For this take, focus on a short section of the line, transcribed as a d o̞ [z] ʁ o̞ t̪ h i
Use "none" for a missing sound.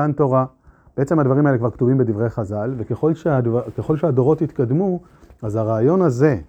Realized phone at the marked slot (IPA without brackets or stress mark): none